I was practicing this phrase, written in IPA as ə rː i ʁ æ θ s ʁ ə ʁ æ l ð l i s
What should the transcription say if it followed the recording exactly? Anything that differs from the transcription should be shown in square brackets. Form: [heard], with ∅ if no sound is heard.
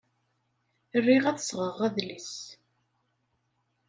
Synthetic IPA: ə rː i ʁ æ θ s ʁ ə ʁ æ [∅] ð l i s